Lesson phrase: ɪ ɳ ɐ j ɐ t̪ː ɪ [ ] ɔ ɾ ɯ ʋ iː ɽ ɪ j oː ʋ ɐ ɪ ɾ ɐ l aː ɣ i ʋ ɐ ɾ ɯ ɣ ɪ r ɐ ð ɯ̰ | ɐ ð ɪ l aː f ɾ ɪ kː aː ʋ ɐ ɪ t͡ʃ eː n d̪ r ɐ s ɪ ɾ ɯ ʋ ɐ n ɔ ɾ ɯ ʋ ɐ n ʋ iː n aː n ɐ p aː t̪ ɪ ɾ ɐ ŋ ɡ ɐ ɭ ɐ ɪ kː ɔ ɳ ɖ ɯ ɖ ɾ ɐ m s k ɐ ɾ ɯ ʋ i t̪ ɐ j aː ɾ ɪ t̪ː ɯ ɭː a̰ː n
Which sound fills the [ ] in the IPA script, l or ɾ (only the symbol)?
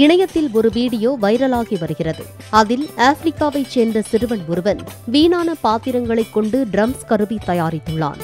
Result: l